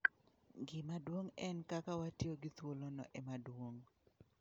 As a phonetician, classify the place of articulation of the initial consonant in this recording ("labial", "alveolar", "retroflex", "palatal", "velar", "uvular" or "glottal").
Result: velar